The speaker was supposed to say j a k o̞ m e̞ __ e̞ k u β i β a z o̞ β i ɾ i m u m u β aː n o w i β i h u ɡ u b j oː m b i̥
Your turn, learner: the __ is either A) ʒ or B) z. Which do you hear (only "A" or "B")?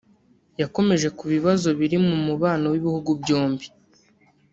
A